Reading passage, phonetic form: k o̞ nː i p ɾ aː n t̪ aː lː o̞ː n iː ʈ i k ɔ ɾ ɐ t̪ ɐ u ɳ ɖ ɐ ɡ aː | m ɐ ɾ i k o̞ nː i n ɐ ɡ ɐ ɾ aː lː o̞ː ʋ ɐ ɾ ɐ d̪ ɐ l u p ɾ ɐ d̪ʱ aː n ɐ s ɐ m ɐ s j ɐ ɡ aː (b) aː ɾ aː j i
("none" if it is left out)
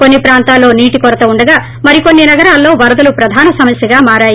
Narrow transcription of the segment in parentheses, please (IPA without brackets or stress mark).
m